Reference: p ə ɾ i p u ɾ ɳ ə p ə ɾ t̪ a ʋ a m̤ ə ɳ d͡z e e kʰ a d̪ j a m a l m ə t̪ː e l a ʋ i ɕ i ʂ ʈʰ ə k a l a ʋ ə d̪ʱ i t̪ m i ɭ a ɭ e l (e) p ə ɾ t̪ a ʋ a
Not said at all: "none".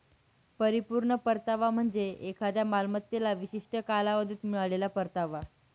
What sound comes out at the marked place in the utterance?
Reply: a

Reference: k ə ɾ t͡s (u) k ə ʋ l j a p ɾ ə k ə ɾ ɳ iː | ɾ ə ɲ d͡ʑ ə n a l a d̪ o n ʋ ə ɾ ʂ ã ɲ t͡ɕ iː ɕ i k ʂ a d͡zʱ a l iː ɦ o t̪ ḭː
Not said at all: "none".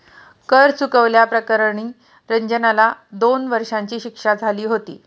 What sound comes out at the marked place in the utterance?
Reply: u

